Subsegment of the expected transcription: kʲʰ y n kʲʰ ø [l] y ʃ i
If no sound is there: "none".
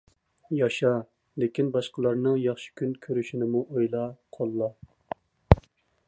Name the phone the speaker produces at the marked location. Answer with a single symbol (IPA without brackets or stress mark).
ɾ